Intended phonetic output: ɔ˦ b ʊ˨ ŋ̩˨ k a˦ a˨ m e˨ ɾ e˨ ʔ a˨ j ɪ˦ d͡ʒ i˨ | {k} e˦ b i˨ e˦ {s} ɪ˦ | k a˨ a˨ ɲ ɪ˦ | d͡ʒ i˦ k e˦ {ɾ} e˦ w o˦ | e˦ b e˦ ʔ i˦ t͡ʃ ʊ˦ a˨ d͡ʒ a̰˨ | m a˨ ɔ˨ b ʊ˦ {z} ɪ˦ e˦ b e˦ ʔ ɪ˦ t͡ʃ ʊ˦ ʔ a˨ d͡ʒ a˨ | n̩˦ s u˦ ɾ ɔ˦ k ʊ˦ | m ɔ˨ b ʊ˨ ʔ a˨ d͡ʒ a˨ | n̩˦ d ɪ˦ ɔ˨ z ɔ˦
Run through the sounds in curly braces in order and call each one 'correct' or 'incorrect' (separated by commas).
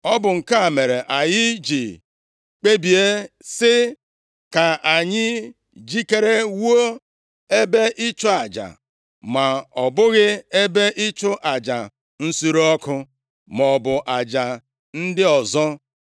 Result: incorrect, correct, correct, incorrect